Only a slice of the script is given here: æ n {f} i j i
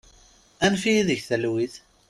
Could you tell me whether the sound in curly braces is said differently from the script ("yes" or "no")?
no